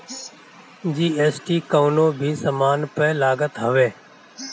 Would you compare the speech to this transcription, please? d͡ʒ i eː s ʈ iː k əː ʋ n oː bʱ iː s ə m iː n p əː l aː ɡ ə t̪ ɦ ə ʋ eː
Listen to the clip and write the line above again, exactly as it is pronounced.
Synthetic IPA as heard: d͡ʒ iː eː s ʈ iː k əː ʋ n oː bʱ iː s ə m aː n p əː l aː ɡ ə t̪ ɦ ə ʋ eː